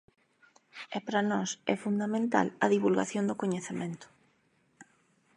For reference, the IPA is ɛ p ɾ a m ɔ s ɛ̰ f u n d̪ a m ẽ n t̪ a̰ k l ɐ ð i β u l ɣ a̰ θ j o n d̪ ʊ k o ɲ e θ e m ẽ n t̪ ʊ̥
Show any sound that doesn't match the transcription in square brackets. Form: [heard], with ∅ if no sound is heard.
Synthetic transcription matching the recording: ɛ p ɾ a [n] ɔ s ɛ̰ f u n d̪ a m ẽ n t̪ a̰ [∅] l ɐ ð i β u l ɣ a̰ θ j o n d̪ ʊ k o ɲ e θ e m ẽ n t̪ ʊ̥